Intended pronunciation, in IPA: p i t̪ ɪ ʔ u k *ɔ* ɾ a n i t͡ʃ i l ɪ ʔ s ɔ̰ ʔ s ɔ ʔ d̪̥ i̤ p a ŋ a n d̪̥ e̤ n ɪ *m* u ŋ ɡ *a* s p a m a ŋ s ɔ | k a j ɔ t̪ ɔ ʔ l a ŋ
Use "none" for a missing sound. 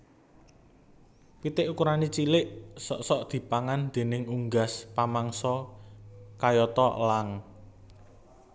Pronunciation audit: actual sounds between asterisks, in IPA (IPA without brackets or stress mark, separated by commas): u, ŋ, a